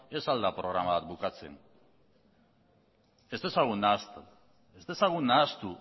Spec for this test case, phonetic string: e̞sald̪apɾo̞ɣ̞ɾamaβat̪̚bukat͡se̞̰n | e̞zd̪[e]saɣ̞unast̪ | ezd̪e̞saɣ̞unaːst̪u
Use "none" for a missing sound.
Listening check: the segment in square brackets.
e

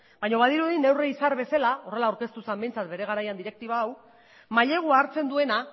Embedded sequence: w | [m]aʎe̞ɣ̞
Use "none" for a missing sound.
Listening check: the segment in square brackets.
m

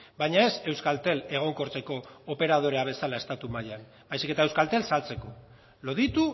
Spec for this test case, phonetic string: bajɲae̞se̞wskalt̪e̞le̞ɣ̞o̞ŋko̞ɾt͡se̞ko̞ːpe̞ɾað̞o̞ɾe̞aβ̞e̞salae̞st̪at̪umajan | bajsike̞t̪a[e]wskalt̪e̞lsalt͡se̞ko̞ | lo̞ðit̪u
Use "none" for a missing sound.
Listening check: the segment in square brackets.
e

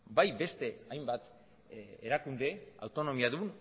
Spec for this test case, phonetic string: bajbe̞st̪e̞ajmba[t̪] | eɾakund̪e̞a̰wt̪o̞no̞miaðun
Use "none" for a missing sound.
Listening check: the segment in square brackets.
t̪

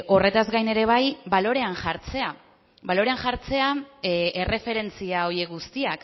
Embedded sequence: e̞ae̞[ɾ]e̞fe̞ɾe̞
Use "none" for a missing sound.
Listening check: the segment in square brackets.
r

